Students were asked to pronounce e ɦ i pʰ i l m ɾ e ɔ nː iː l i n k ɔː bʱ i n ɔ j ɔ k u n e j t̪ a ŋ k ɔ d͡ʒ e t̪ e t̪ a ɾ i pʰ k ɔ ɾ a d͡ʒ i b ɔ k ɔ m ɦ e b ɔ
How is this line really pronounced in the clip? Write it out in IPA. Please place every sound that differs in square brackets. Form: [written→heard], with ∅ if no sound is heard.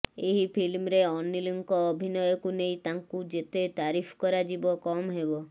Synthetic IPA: e ɦ i pʰ i l m ɾ e ɔ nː [iː→i] l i [n→ŋ] k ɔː bʱ i n ɔ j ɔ k u n e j t̪ a ŋ k [ɔ→u] d͡ʒ e t̪ e t̪ a ɾ i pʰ k ɔ ɾ a d͡ʒ i b ɔ k ɔ m ɦ e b ɔ